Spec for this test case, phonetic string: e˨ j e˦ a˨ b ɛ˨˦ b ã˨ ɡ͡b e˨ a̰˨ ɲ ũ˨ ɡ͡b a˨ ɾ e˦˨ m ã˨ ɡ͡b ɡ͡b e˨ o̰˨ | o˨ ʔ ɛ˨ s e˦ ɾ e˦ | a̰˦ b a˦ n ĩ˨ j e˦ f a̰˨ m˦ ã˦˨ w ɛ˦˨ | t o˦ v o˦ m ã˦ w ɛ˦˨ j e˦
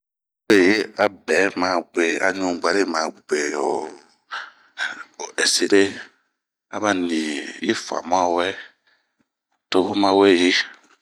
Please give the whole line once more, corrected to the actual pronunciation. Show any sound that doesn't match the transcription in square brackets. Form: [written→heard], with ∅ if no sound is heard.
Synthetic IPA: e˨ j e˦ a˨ b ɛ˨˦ [b→m] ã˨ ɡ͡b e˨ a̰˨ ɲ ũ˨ ɡ͡b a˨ ɾ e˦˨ m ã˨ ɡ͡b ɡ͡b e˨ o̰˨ | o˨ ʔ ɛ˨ s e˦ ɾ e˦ | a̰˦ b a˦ n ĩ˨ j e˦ f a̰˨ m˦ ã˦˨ w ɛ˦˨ | t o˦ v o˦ m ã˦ w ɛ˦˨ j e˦